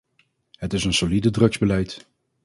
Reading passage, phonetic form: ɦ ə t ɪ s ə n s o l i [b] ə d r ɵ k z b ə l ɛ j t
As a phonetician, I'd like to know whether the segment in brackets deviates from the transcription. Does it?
yes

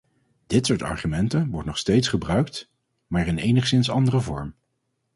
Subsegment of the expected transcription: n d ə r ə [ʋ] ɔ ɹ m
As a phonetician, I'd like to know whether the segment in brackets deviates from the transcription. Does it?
yes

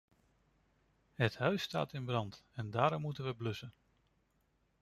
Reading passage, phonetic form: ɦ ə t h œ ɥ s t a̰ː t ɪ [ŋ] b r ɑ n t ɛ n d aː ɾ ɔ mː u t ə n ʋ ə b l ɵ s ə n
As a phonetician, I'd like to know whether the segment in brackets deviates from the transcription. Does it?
yes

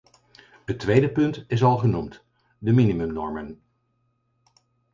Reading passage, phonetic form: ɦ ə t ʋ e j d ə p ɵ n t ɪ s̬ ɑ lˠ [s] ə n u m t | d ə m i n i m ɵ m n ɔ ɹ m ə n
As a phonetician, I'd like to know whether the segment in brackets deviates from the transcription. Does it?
yes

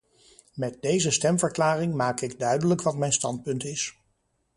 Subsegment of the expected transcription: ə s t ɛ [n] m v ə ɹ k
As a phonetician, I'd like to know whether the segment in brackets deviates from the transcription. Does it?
yes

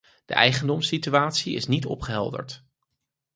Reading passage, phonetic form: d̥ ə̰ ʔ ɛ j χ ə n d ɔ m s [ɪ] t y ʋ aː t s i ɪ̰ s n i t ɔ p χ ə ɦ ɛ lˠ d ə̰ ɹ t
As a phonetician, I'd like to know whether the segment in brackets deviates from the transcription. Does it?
yes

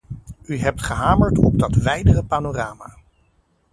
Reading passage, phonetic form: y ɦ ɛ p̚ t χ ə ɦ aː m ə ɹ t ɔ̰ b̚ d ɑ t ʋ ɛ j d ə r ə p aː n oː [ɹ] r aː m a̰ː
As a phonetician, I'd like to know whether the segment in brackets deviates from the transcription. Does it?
yes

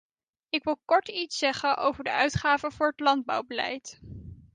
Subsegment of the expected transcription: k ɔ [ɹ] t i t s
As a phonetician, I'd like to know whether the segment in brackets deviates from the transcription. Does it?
no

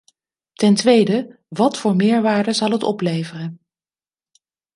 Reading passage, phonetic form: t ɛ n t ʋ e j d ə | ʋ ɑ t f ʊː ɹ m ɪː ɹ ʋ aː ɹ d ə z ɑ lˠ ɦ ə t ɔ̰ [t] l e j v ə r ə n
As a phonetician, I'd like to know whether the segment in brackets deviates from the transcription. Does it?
yes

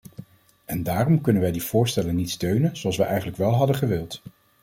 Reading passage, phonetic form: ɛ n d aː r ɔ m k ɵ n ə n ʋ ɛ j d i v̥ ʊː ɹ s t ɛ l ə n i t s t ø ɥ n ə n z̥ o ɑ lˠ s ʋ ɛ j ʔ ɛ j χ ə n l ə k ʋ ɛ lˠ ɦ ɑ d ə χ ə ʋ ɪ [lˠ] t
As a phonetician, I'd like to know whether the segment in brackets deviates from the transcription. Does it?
no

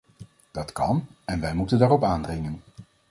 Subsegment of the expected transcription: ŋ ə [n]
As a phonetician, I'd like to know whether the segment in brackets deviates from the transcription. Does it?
no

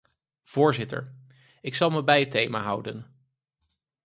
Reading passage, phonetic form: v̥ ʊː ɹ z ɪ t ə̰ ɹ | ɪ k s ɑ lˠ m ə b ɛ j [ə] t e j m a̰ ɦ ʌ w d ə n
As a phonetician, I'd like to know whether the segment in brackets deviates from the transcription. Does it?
no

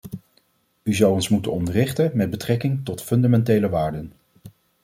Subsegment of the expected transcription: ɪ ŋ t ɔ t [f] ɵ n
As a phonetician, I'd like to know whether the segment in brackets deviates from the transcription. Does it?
no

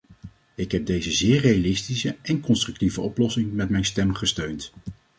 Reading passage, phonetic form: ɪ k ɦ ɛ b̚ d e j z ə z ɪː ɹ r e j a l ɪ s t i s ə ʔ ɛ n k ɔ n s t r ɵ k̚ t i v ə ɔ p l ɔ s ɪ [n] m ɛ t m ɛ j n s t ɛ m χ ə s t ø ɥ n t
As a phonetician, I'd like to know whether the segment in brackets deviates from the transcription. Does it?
yes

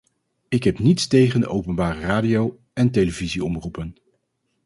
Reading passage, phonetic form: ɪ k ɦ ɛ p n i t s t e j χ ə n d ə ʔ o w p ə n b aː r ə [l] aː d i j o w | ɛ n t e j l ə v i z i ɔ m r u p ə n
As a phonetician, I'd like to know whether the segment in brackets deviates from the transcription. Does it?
yes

